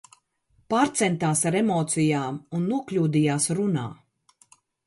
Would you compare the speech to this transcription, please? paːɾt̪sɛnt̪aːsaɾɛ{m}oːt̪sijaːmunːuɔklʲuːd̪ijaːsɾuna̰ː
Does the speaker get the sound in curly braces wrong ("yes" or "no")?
no